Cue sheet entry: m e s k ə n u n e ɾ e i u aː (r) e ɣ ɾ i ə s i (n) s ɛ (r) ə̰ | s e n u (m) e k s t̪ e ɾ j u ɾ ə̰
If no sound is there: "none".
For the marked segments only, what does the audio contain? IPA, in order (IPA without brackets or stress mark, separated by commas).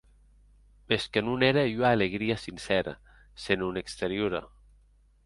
l, n, ɾ, n